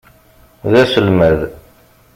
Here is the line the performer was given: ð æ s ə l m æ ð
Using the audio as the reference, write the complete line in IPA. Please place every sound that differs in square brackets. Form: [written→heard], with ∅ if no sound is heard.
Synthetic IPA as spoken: ð æ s ə l m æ ð